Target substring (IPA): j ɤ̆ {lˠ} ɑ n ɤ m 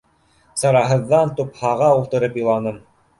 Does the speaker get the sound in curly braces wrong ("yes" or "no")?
no